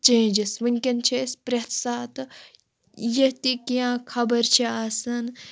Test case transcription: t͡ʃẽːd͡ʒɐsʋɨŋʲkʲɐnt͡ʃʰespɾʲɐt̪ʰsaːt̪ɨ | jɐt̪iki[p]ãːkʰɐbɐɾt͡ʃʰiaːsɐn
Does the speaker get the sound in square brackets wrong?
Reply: yes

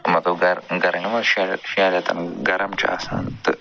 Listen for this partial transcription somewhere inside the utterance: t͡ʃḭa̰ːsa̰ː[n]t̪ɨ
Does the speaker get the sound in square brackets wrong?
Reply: no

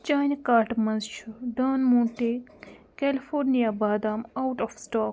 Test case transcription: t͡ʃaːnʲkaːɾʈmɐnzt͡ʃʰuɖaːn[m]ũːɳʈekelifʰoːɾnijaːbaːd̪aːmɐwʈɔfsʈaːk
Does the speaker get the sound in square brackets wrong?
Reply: no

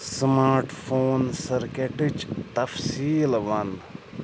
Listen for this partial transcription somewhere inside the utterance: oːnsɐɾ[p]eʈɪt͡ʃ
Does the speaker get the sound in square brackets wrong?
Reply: yes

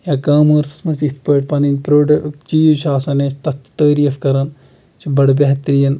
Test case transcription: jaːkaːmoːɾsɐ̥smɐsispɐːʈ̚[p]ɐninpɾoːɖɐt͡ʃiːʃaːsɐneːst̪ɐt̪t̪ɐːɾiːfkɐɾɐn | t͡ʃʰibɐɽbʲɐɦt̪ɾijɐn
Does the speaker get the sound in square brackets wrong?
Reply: no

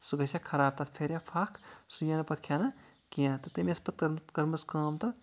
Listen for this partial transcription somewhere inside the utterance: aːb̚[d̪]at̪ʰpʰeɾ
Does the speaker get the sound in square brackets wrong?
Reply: yes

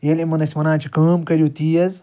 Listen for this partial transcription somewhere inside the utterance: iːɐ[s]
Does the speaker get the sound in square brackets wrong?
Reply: yes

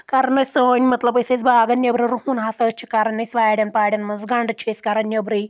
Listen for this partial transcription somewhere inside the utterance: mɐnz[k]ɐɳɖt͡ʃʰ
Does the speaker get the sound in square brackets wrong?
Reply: yes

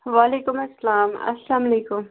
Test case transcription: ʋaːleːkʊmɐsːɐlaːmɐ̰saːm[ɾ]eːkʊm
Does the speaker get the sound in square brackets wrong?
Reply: yes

